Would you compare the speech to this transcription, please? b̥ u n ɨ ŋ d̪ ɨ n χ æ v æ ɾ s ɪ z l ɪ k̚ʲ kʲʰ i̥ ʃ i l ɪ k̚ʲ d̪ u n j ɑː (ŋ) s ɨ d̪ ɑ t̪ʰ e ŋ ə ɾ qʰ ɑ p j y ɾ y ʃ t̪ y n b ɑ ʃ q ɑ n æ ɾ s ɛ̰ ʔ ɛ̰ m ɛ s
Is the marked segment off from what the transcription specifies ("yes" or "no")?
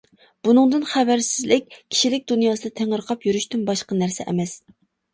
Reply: yes